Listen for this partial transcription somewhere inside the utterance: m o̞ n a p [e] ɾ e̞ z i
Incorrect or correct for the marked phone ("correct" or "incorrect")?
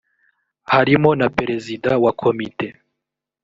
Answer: correct